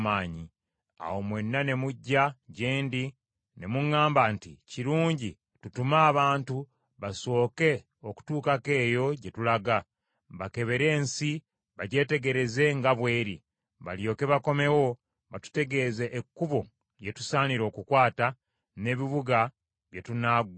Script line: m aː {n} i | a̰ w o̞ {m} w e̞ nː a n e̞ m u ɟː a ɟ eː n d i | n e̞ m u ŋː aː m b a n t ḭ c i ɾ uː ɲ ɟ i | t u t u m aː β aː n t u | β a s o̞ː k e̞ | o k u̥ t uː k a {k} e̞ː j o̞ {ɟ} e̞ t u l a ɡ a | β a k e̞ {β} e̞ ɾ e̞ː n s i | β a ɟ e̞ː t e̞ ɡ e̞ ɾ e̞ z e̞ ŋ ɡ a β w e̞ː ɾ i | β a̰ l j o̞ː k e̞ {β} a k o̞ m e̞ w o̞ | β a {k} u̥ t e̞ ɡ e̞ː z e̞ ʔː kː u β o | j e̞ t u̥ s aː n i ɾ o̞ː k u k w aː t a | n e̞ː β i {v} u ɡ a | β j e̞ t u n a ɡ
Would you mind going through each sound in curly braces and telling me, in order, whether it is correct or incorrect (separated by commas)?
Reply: incorrect, correct, correct, correct, correct, correct, incorrect, incorrect